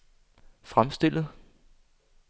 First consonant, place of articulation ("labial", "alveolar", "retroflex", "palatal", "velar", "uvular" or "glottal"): labial